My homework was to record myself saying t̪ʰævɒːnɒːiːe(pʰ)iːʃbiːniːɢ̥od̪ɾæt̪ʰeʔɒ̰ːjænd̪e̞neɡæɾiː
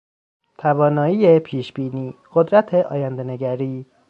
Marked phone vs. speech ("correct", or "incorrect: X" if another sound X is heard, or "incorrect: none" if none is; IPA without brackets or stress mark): correct